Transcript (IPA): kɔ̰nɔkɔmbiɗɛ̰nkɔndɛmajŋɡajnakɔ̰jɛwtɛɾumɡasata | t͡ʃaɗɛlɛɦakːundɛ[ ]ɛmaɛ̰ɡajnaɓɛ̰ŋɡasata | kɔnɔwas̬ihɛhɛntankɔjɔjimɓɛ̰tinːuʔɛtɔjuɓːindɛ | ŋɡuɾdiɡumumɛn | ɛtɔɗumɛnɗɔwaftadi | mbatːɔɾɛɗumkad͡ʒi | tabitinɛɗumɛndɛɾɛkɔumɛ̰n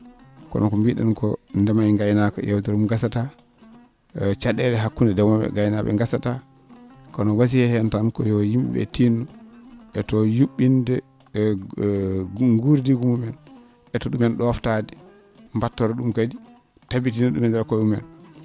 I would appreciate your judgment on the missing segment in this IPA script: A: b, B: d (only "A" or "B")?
B